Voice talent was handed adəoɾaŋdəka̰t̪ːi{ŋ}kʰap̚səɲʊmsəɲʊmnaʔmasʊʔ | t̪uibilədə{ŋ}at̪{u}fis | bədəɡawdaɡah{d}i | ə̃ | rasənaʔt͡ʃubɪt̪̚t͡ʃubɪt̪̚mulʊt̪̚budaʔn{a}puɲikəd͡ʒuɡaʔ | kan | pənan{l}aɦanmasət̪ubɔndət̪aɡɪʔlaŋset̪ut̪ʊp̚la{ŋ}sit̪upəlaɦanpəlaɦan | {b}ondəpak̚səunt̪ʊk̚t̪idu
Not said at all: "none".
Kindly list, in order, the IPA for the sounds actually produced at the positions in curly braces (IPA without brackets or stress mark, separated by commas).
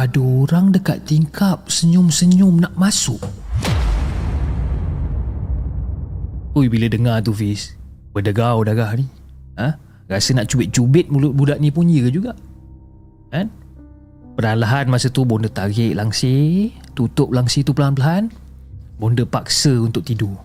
ŋ, ŋ, u, n, i, l, ŋ, b